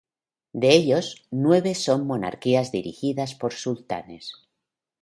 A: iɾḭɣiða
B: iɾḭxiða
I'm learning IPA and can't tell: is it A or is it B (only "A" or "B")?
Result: B